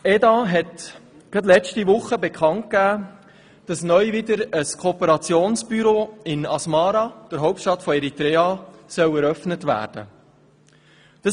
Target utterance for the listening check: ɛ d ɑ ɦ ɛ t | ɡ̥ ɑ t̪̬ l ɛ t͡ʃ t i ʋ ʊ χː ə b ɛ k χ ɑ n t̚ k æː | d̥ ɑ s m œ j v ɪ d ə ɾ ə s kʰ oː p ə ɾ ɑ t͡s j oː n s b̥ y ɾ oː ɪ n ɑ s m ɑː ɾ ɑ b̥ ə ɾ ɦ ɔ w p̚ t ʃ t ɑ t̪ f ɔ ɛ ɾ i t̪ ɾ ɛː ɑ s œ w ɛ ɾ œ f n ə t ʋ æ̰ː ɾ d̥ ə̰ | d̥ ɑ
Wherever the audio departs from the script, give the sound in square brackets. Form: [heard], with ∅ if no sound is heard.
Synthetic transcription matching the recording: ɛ d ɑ ɦ ɛ t | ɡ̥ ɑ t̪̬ l ɛ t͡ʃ t i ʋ ʊ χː ə b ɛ k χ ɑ n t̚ k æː | d̥ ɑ s [n] œ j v ɪ d ə ɾ ə s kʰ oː p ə ɾ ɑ t͡s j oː n s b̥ y ɾ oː ɪ n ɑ s m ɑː ɾ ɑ [d̥] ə ɾ ɦ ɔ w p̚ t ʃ t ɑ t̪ f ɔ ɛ ɾ i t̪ ɾ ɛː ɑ s œ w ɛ ɾ œ f n ə t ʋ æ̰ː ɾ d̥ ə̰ | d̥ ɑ